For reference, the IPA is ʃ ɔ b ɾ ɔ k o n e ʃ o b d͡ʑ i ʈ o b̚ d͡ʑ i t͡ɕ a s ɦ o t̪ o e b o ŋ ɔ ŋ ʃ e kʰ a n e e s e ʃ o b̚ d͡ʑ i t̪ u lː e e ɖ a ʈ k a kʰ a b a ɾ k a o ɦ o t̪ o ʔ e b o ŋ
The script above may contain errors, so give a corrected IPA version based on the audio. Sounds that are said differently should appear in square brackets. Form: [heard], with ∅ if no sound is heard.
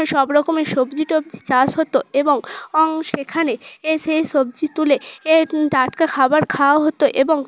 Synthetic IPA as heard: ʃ ɔ b ɾ ɔ k o [m] e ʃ o b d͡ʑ i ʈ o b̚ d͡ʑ i t͡ɕ a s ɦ o t̪ o e b o ŋ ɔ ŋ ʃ e kʰ a n e e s e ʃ o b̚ d͡ʑ i t̪ u [l] e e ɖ a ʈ k a kʰ a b a ɾ [kʰ] a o ɦ o t̪ o ʔ e b o ŋ